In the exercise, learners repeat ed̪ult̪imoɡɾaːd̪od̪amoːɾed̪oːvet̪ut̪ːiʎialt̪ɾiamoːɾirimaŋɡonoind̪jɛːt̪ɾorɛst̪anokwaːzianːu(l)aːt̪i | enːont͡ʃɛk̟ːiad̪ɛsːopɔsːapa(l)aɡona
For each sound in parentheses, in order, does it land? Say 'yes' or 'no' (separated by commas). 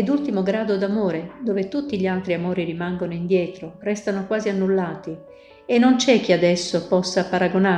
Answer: no, no